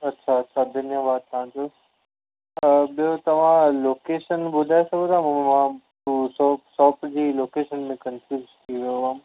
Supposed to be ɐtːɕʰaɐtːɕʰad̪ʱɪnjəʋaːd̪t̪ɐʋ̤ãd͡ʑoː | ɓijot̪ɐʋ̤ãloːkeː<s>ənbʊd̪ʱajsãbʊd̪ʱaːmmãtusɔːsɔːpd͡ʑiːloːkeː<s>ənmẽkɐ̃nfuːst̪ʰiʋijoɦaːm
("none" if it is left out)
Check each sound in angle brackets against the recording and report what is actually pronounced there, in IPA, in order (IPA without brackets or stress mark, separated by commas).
ʃ, ʃ